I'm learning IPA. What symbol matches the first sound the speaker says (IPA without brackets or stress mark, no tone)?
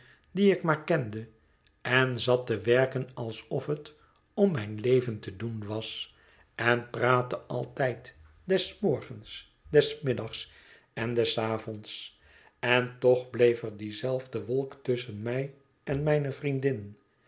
d